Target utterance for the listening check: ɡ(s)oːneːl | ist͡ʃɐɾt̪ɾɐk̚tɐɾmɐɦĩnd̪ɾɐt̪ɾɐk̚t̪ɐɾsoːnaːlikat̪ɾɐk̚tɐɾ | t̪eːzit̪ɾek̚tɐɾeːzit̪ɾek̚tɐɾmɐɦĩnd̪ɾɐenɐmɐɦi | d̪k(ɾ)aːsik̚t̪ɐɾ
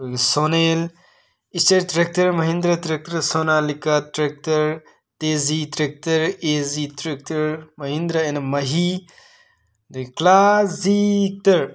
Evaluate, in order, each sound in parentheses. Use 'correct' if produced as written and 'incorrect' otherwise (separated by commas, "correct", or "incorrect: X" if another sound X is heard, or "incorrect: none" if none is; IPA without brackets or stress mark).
correct, incorrect: l